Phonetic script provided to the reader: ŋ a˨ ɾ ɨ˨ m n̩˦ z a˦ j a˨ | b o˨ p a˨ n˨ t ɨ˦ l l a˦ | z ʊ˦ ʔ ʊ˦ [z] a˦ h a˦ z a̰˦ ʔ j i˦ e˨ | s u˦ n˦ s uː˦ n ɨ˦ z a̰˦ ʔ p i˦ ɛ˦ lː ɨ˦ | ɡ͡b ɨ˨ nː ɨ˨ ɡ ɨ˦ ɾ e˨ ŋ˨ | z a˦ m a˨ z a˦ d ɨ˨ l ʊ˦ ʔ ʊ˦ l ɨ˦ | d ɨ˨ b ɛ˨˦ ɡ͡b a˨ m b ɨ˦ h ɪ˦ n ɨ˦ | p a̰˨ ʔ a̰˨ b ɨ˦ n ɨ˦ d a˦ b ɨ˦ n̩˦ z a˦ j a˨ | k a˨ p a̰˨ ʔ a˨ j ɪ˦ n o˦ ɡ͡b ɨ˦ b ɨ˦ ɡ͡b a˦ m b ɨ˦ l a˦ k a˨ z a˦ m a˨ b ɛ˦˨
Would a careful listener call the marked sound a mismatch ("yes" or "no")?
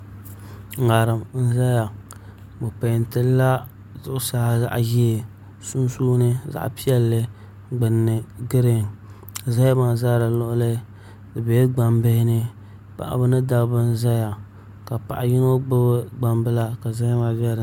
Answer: yes